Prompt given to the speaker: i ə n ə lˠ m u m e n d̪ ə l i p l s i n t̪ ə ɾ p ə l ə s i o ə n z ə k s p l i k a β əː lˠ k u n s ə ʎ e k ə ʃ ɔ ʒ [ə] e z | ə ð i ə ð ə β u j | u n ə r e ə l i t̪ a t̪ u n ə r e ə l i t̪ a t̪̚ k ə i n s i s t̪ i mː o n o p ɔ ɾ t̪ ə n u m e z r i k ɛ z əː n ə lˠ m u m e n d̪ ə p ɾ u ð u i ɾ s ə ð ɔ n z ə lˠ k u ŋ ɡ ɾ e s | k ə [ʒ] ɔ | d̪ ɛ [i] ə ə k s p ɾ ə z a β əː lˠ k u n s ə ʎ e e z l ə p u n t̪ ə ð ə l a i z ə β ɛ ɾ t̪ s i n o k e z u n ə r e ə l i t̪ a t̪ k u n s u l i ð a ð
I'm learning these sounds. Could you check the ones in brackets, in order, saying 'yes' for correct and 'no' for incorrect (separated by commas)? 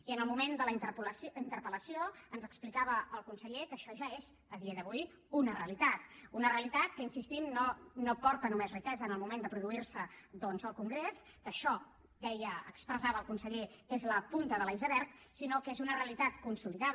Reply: no, no, no